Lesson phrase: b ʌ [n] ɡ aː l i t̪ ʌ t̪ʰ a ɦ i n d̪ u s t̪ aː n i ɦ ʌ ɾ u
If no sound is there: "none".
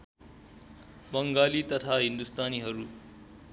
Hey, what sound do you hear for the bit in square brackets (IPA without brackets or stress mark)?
ŋ